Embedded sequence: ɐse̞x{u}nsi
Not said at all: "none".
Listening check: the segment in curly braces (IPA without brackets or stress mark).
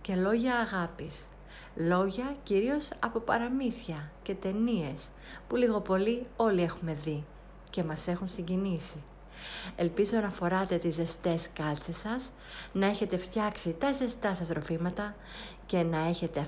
u